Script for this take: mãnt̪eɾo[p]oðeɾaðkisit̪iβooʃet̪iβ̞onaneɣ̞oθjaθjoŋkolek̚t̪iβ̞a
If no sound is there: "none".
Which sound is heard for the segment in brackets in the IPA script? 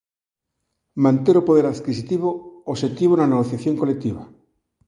p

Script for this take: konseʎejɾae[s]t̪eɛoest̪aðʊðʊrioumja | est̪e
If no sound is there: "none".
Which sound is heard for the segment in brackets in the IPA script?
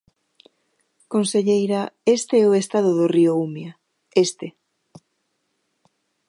s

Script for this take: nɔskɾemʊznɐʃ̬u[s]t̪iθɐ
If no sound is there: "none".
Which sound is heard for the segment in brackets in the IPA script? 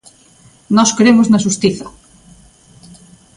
s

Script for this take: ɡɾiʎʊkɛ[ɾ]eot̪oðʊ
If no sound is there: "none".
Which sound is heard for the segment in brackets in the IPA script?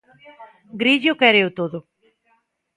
ɾ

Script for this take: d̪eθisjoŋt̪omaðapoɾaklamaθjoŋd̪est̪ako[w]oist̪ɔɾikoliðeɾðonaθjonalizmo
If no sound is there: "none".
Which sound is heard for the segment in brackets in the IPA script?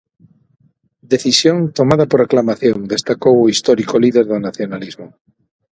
w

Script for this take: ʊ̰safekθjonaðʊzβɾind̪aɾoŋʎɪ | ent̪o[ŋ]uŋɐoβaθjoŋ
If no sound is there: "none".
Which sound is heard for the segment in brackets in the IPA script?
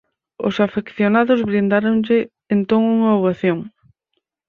ŋ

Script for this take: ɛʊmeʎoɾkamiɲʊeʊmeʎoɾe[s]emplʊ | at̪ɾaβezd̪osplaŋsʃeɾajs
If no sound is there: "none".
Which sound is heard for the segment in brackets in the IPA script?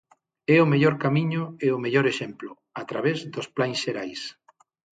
ʃ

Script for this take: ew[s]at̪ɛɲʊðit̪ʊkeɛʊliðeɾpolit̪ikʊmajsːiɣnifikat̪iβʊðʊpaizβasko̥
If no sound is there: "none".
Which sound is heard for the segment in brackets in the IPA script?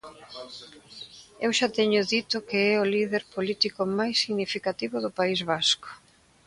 ʃ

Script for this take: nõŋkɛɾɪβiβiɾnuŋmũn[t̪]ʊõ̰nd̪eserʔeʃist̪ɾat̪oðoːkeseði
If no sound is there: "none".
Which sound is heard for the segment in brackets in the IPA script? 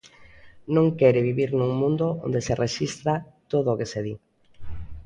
d̪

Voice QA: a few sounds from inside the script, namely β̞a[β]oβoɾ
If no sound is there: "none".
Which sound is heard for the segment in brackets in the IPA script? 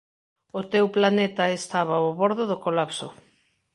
none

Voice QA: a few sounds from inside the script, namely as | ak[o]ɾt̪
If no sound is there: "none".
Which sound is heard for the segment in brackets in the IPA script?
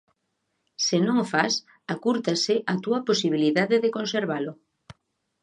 u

